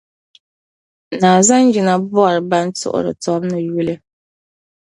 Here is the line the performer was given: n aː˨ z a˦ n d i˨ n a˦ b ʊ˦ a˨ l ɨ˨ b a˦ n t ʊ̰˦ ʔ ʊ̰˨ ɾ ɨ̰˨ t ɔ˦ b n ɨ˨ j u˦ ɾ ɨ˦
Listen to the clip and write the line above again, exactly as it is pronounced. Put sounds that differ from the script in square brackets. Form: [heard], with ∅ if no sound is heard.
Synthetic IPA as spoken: n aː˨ z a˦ n [d͡ʒ] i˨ n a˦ b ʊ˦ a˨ [ɾ] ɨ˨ b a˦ n t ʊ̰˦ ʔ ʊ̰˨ ɾ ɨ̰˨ t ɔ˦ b n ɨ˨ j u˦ [l] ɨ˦